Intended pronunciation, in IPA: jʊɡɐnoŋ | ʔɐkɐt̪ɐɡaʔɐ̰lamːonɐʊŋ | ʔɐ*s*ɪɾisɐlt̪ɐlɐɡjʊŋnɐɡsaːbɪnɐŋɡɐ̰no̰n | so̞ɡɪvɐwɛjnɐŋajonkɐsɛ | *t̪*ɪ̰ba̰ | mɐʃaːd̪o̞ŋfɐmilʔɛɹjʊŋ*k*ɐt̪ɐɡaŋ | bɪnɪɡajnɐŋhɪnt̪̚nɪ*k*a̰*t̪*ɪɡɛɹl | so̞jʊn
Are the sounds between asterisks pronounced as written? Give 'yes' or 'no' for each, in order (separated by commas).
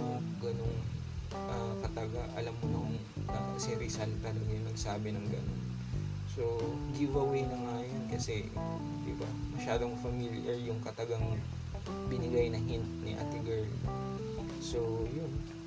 yes, no, yes, no, yes